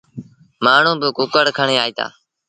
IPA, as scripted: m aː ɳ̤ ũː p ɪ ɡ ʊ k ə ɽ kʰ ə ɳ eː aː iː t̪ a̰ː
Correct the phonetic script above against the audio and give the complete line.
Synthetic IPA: m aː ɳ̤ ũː b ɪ k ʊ k ə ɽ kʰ ə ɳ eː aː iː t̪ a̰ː